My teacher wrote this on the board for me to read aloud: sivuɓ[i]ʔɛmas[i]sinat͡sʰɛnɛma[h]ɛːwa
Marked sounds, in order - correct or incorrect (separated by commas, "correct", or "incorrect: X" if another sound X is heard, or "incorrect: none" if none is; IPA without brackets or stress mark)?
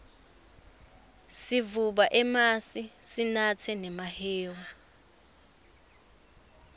incorrect: a, correct, correct